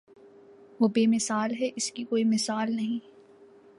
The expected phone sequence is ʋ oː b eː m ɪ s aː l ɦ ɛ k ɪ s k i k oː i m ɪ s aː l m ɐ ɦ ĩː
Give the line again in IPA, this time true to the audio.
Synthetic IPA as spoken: ʋ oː b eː m ɪ s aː l ɦ ɛ ʔ ɪ s k i k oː i m ɪ s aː l n ɐ ɦ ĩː